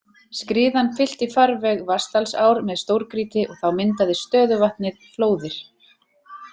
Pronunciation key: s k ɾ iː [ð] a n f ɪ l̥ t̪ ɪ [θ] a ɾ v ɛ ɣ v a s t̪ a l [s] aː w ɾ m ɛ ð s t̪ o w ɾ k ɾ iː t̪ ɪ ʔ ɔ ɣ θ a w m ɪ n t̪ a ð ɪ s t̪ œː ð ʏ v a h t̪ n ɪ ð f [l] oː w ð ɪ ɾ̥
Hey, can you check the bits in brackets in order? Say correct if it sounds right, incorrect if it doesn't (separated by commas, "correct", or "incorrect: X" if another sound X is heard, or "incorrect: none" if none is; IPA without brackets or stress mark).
correct, incorrect: f, correct, correct